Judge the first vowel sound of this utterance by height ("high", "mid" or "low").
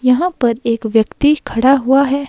low